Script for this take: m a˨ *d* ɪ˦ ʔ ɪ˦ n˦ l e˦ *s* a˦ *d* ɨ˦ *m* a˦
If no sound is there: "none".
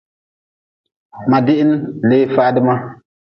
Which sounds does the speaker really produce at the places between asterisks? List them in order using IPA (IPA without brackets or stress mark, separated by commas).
d, f, d, m